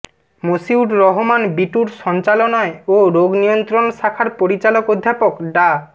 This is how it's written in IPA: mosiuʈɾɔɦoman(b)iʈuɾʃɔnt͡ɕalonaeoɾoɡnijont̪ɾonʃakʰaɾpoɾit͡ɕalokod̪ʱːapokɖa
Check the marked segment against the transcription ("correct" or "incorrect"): correct